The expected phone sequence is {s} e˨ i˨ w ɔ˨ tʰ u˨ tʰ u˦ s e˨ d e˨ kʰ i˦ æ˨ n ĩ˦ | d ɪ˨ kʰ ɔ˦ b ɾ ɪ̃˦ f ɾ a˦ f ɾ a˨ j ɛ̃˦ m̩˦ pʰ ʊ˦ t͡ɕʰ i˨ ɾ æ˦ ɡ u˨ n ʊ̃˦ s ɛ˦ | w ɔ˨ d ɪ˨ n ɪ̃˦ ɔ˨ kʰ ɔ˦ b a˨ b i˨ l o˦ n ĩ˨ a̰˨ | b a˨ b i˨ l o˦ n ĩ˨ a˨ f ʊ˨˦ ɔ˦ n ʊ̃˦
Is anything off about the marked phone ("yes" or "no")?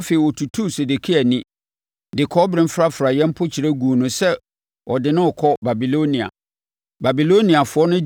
yes